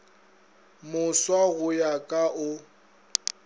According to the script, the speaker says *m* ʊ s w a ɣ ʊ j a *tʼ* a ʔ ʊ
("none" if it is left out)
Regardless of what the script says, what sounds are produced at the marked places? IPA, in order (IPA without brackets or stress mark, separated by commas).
m, kʼ